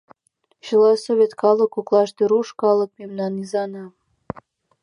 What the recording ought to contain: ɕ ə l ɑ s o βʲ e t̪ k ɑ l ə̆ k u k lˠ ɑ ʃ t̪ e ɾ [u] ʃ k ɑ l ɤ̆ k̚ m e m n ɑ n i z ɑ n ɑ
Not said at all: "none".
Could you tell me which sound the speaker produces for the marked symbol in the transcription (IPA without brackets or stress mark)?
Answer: u